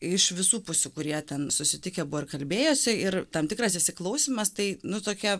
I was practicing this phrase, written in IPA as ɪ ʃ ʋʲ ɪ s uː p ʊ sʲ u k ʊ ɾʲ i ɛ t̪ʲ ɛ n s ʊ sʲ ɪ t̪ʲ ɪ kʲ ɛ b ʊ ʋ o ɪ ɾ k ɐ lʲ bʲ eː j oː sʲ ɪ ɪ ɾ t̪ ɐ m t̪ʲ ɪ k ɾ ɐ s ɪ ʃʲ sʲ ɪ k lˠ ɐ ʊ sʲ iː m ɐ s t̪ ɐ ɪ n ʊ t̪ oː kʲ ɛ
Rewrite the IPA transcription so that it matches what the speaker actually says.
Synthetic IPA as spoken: ɪ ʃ ʋʲ ɪ s uː p ʊ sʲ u k ʊ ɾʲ i ɛ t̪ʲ ɛ n s ʊ sʲ ɪ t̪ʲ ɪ kʲ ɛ b ʊ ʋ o ɪ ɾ k ɐ lʲ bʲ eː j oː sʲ ɪ ɪ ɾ t̪ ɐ m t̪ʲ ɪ k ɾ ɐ s ɪ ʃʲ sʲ ɪ k lˠ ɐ ʊ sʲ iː m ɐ s t̪ ɐ ɪ n ʊ t̪ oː kʲ ɛ